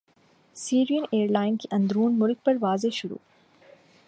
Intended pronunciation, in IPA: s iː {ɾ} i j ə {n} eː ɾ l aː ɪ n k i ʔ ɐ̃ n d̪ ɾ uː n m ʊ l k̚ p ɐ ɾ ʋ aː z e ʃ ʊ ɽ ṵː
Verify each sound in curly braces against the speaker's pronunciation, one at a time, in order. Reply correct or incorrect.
correct, correct

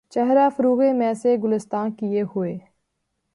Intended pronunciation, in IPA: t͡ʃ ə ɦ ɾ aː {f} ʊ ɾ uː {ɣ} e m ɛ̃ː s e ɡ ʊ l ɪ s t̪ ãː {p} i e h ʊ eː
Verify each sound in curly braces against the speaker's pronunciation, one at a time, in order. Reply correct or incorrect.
correct, correct, incorrect: k

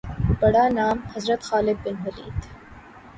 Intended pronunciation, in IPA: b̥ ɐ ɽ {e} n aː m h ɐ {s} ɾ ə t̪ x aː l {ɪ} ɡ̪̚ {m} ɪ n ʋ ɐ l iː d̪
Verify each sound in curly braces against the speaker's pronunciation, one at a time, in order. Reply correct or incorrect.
incorrect: a, incorrect: z, correct, incorrect: b

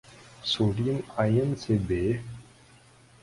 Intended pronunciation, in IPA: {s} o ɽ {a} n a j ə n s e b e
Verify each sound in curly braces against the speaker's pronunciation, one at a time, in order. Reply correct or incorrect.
correct, incorrect: i

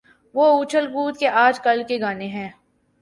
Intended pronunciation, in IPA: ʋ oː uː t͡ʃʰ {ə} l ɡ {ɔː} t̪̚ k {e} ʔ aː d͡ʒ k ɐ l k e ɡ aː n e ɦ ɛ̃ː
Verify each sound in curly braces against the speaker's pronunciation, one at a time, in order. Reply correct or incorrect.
correct, incorrect: uː, correct

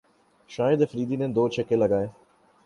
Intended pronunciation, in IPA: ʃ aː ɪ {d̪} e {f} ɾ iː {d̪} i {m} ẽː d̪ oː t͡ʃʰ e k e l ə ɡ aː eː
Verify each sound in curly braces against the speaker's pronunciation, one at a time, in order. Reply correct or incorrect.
correct, correct, correct, incorrect: n

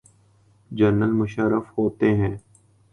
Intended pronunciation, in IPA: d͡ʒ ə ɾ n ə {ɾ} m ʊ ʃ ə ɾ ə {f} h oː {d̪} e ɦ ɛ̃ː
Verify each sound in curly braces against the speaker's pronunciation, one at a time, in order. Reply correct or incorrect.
incorrect: l, correct, incorrect: t̪

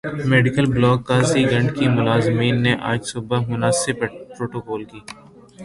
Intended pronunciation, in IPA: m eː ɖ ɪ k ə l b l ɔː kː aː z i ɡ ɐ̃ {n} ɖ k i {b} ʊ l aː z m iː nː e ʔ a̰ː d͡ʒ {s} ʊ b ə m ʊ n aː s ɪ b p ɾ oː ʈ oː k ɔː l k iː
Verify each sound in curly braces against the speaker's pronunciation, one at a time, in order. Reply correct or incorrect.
incorrect: ɳ, incorrect: m, correct

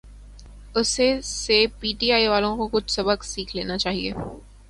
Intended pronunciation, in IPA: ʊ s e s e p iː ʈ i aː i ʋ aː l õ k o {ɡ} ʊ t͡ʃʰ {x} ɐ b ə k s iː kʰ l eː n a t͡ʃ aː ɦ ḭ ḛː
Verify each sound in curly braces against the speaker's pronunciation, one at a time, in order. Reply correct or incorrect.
incorrect: k, incorrect: s

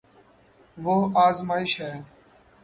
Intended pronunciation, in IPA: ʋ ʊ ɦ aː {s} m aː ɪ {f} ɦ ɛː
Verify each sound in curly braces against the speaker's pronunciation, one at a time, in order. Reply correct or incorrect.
incorrect: z, incorrect: ʃ

